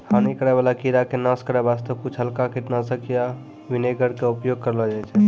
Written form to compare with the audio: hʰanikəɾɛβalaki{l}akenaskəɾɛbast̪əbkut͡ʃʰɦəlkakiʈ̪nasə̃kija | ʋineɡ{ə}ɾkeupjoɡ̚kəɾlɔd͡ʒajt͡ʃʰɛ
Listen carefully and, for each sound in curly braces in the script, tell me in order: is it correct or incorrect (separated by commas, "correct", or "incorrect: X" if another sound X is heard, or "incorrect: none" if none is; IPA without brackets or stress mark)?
incorrect: ɾ, correct